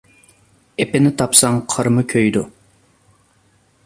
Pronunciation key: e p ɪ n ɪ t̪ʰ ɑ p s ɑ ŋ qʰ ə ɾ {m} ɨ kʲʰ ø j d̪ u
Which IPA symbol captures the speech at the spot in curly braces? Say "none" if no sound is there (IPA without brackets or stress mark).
m